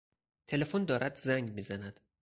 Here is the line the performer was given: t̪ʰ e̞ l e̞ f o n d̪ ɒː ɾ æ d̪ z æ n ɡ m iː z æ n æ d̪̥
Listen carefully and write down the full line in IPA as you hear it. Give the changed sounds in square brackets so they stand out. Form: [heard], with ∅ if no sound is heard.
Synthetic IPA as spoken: t̪ʰ e̞ l e̞ f o n d̪ ɒː ɾ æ d̪ z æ [ŋ] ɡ m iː z æ n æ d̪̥